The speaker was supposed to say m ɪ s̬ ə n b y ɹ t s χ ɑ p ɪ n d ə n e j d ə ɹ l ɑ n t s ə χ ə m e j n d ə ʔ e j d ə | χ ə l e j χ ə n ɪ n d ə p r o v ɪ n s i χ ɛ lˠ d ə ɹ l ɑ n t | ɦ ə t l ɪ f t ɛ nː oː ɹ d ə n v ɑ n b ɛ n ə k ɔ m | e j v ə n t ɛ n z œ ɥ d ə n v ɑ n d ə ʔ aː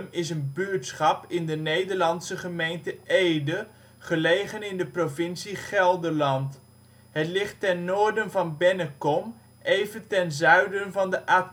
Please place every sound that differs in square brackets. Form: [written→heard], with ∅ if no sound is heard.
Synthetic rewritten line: m ɪ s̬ ə n b y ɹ t s χ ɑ p ɪ n d ə n e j d ə ɹ l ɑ n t s ə χ ə m e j n [d→t] ə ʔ e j d ə | χ ə l e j χ ə n ɪ n d ə p r o v ɪ n s i χ ɛ lˠ d ə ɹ l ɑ n t | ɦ ə t l ɪ [f→χ] t ɛ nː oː ɹ d ə n v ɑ n b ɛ n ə k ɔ m | e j v ə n t ɛ n z œ ɥ d ə n v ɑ n d ə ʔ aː